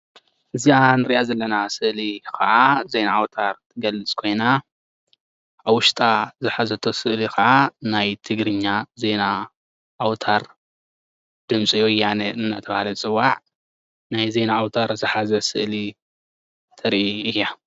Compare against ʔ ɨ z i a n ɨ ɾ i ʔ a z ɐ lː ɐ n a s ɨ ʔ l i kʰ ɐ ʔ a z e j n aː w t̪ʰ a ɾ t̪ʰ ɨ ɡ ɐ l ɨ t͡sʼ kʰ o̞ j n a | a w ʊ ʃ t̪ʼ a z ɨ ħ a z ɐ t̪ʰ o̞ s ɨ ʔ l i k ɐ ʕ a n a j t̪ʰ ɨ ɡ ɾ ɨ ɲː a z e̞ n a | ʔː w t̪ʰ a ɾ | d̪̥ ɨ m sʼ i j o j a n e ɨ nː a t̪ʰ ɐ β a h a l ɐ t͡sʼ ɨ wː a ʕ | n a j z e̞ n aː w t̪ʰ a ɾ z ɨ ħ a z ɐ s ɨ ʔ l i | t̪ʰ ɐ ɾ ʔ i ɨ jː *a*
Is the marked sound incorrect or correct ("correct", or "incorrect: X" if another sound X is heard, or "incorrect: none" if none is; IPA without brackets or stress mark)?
correct